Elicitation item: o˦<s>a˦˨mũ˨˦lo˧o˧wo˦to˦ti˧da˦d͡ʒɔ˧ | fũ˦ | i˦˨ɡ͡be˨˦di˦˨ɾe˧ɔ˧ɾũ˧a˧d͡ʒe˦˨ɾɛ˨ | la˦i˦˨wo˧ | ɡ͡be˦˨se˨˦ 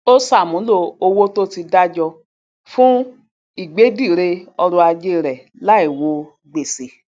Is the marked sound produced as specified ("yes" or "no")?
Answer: yes